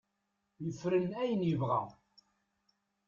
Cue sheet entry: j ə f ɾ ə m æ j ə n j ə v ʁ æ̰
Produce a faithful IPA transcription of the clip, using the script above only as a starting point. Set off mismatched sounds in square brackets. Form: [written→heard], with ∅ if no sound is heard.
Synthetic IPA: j ə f ɾ ə [m→n] æ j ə n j ə v ʁ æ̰